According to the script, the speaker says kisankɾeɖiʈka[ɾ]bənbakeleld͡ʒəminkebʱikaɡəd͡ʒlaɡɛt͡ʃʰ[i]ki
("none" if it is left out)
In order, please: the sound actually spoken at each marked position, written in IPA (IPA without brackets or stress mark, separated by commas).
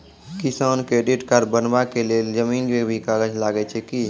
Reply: ɾ, ɛ